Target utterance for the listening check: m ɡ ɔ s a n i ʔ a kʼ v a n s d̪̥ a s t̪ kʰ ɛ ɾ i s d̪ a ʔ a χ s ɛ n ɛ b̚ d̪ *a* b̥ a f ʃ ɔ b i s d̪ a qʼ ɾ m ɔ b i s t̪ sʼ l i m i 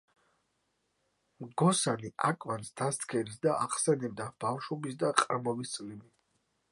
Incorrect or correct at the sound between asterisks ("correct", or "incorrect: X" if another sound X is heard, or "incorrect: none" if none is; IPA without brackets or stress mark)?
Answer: correct